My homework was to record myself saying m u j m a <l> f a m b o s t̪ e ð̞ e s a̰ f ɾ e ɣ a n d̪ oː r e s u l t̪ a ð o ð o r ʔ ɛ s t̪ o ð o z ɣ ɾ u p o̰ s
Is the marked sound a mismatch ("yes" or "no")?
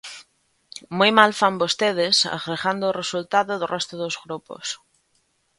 no